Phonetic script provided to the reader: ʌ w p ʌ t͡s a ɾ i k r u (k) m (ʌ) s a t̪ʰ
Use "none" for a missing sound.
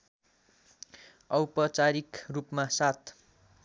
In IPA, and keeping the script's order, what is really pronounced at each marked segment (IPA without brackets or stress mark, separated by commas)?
p, a